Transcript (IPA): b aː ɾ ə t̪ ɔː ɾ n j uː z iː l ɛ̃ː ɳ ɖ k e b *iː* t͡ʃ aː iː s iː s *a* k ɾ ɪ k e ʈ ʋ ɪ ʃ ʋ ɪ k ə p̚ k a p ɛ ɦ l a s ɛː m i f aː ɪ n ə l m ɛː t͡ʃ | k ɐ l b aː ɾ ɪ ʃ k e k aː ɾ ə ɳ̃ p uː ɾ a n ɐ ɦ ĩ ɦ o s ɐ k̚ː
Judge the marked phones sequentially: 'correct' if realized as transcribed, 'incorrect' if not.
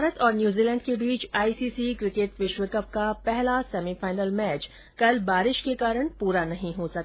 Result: correct, incorrect

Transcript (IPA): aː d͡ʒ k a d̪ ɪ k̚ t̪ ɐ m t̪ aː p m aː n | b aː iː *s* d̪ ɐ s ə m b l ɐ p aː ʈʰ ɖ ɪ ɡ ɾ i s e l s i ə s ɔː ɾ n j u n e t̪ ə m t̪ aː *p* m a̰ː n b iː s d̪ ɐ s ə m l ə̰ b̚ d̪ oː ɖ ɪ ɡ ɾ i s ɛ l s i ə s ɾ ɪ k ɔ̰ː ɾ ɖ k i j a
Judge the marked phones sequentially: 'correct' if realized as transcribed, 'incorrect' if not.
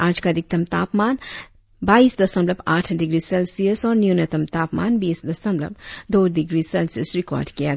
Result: correct, correct

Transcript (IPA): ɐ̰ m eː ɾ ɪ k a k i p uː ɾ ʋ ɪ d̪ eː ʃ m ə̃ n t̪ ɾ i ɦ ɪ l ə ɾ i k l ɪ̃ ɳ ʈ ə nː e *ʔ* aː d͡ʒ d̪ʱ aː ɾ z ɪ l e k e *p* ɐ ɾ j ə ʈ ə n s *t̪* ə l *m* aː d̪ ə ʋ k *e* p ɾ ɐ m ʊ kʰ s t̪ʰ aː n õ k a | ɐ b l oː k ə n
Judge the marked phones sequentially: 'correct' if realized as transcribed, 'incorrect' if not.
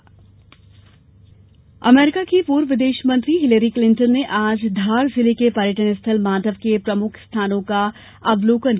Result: correct, correct, incorrect, correct, correct

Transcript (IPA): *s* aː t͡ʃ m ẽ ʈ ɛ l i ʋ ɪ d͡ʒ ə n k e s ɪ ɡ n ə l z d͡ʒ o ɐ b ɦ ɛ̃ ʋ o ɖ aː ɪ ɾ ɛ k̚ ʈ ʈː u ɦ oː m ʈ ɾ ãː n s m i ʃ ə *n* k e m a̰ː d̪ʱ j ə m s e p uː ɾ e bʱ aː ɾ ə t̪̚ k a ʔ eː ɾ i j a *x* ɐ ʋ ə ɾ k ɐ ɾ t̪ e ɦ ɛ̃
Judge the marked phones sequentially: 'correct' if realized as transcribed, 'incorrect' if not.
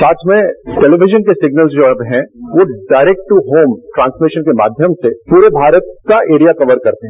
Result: correct, correct, incorrect

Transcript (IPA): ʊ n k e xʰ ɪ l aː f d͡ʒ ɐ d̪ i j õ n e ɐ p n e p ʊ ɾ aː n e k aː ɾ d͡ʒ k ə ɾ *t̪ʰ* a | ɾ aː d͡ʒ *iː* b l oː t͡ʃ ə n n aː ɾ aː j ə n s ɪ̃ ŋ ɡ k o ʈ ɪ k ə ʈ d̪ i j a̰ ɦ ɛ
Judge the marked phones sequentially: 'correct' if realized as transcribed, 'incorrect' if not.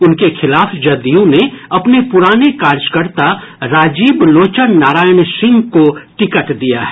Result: incorrect, correct

